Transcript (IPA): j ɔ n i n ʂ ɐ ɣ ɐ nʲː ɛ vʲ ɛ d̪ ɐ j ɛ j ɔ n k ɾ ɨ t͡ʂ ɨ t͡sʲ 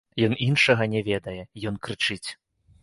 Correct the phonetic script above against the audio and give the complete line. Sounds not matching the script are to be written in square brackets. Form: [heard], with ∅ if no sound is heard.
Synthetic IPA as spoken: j ɔ n i n ʂ ɐ ɣ ɐ [nʲ] ɛ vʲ ɛ d̪ ɐ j ɛ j ɔ n k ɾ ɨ t͡ʂ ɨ t͡sʲ